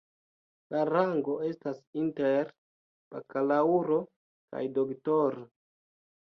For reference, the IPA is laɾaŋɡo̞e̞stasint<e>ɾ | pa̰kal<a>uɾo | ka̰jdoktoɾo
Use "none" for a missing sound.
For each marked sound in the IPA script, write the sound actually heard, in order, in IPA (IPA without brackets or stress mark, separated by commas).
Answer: e, a